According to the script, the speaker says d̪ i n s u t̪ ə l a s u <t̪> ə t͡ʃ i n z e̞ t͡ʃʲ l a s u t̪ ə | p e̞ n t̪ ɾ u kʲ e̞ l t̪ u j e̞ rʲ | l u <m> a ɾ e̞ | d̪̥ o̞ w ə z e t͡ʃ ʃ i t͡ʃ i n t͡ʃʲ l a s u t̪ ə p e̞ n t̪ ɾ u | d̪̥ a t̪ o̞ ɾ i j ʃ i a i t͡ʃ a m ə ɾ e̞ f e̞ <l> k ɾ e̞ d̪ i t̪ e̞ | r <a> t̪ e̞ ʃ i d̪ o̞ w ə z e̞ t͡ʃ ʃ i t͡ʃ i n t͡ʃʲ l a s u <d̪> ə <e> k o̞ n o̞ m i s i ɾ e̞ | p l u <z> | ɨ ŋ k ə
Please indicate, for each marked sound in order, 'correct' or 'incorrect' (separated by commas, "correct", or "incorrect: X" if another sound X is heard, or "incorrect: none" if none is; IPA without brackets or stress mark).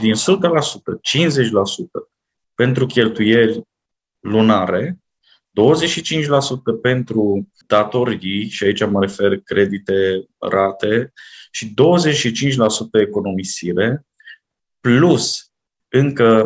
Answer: correct, incorrect: n, incorrect: r, correct, incorrect: t̪, correct, incorrect: s